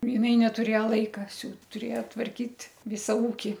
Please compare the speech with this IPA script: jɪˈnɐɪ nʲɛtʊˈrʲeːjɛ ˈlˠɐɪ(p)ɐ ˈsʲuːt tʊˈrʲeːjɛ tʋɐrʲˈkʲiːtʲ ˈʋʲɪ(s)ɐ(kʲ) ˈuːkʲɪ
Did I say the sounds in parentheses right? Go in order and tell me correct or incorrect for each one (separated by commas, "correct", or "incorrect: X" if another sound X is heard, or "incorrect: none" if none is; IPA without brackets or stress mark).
incorrect: k, correct, incorrect: none